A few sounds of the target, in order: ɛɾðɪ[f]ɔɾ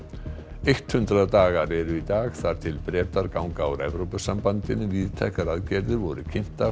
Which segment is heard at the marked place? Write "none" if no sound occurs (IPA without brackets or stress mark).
v